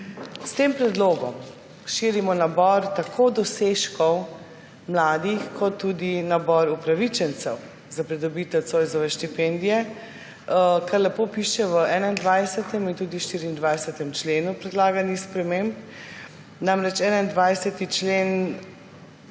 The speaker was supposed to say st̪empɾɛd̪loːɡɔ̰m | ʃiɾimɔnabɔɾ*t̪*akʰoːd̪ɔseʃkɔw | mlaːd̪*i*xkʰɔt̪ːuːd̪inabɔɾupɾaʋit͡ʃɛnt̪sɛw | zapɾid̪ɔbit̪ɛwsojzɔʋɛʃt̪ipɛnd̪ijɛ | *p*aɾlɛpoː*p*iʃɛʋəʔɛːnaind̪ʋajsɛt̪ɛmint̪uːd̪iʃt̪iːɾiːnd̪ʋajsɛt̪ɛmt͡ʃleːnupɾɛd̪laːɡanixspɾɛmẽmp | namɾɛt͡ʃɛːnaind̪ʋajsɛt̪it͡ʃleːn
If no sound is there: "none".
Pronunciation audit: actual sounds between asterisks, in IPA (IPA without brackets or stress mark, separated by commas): t̪, i, k, p